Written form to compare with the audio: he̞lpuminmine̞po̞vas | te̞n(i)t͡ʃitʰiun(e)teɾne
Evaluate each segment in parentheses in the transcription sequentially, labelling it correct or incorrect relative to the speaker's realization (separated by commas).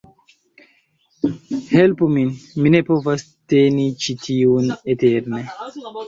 correct, correct